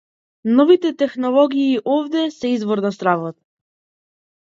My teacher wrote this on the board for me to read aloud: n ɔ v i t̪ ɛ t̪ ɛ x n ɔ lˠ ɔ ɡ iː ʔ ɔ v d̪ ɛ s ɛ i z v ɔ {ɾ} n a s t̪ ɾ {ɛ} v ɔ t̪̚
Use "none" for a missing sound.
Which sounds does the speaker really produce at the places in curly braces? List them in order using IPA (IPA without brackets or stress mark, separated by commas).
ɾ, a